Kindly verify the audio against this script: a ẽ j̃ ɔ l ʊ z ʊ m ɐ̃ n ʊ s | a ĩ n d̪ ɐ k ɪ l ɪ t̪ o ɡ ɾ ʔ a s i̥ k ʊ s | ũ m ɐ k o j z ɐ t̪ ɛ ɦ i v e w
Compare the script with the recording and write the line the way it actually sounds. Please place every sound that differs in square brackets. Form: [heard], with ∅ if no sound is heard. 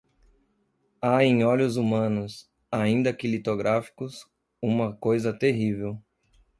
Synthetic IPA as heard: a ẽ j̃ ɔ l ʊ z [u] m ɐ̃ n ʊ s | a ĩ n d̪ ɐ k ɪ l [i] t̪ o ɡ ɾ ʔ a [f] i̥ k ʊ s | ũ m ɐ k o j z ɐ t̪ [e] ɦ i v e w